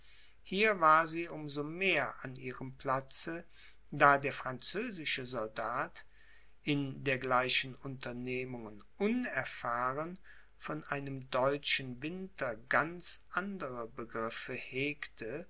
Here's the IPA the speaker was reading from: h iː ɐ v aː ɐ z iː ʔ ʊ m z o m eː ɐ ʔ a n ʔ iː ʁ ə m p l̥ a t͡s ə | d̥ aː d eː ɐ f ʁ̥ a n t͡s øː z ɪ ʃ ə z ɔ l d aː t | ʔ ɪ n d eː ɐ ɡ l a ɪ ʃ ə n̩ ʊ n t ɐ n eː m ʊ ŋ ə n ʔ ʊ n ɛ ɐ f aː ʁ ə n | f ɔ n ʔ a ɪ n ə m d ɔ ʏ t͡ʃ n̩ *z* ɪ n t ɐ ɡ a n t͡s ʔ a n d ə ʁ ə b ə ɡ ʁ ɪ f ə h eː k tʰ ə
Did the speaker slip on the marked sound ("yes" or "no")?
yes